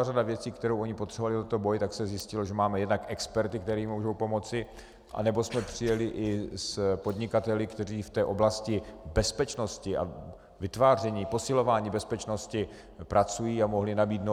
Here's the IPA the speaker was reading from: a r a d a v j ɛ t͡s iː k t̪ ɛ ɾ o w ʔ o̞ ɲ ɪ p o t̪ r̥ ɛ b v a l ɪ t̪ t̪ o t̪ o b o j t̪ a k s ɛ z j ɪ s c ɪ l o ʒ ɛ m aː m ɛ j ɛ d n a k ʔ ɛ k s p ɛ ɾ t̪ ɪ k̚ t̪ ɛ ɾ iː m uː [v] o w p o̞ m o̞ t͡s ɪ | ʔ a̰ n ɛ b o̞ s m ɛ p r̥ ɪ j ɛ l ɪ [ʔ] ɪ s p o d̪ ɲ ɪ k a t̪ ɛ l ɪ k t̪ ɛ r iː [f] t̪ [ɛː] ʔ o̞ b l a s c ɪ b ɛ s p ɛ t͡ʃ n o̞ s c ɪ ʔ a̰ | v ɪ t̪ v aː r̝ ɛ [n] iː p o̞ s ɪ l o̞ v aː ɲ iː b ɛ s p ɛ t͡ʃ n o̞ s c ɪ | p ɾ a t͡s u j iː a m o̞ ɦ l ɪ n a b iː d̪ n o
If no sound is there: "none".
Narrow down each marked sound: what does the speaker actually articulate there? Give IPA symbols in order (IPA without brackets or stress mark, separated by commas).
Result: ʒ, ʔ, f, ɛː, ɲ